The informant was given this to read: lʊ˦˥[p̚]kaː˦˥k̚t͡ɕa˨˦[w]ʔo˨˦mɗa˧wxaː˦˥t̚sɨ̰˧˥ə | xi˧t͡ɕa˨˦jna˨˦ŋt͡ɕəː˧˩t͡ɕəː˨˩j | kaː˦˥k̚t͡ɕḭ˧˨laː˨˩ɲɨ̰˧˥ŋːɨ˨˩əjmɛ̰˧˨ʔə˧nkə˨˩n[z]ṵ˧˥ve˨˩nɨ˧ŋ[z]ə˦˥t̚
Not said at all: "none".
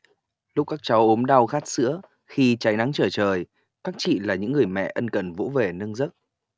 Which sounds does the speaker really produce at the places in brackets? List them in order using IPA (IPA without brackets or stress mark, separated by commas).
k͡p̚, w, v, z